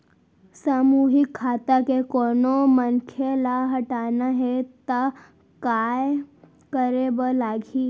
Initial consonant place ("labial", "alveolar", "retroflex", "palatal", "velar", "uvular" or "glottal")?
alveolar